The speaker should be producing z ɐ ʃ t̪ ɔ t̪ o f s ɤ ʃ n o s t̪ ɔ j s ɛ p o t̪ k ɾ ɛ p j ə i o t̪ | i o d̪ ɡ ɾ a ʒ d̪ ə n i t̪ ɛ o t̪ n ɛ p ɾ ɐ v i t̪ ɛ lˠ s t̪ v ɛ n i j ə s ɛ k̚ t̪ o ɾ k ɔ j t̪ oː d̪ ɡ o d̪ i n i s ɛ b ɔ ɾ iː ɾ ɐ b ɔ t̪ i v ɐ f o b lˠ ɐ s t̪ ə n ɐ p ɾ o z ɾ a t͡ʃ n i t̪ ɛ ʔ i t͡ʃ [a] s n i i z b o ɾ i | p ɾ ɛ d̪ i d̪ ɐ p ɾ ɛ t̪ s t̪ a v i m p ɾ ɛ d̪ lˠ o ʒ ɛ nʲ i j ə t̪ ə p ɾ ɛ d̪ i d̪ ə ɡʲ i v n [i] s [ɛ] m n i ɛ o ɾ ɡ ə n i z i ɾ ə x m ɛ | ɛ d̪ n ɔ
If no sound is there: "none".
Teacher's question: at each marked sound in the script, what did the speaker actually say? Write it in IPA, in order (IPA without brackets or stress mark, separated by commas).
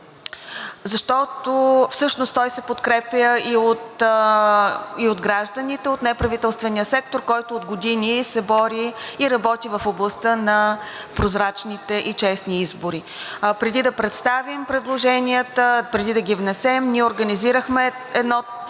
ɛ, ɛ, ɛ